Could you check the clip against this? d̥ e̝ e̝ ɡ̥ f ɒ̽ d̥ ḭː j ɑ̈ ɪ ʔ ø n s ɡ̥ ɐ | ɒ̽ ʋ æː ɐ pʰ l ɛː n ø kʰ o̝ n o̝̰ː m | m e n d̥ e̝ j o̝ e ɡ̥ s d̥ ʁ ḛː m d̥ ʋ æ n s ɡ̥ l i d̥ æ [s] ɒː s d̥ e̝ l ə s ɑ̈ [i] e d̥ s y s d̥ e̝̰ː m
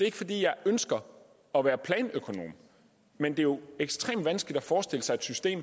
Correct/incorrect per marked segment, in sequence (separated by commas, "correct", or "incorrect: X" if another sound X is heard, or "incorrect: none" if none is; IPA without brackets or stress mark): incorrect: f, incorrect: ɪ